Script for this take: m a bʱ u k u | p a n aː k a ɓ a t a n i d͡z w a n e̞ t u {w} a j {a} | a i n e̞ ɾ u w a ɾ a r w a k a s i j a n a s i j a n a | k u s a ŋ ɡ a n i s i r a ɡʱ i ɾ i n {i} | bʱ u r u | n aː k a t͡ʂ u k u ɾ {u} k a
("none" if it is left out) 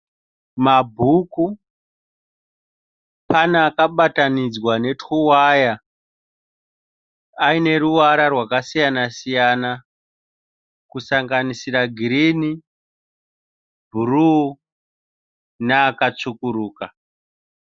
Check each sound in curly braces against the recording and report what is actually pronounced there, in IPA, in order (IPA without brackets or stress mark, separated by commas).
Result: w, a, i, uː